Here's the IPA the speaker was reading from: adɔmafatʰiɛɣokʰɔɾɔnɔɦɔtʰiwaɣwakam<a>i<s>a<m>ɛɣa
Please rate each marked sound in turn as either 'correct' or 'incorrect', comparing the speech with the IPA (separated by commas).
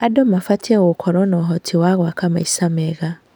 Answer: correct, correct, correct